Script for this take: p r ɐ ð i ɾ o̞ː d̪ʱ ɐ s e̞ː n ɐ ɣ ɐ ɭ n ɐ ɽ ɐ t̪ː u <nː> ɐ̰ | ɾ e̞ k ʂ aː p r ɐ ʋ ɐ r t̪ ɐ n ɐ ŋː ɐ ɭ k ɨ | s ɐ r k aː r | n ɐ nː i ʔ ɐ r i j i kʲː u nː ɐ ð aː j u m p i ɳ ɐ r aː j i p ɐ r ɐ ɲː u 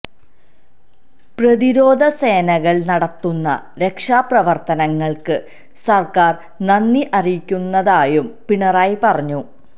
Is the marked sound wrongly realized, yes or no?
no